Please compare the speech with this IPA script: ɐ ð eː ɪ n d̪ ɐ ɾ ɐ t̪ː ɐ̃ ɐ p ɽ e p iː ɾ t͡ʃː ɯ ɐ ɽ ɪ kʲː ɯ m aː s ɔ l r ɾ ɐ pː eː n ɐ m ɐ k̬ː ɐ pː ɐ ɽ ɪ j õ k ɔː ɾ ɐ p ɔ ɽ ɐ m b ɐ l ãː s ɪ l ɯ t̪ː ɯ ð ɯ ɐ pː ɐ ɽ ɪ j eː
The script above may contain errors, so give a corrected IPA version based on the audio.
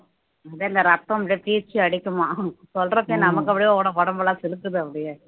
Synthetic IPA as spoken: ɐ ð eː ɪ n d̪ ɐ ɾ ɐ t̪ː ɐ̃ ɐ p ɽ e p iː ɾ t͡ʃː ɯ ɐ ɽ ɪ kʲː ɯ m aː s ɔ l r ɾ ɐ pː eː n ɐ m ɐ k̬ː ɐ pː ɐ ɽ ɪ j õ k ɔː ɽ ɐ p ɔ ɽ ɐ m b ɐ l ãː s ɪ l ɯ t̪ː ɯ ð ɯ ɐ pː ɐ ɽ ɪ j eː